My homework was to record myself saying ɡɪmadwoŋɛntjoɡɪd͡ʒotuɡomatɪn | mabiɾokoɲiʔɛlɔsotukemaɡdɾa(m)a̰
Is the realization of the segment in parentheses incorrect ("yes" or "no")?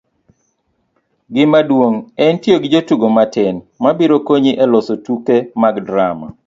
no